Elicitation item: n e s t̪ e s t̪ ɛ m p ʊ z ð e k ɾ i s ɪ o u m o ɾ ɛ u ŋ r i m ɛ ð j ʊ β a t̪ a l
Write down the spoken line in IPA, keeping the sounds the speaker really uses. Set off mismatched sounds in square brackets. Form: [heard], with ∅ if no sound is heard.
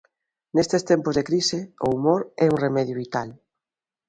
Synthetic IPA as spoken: n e s t̪ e s t̪ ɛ m p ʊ z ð e k ɾ i s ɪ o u m o ɾ ɛ u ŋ r [e] m ɛ ð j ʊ β [i] t̪ a l